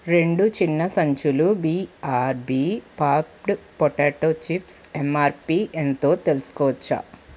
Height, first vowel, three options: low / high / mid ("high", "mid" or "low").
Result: mid